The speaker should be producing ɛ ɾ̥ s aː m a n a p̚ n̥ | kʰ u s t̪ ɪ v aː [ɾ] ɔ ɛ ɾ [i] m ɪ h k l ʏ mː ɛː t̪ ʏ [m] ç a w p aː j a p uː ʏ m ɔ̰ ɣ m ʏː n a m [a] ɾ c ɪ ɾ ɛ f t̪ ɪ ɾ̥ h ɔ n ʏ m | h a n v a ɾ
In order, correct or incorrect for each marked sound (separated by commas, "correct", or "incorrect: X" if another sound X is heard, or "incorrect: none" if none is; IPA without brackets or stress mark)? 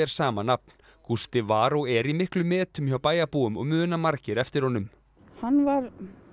correct, correct, correct, correct